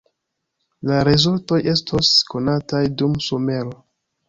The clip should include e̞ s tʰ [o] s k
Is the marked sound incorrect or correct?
correct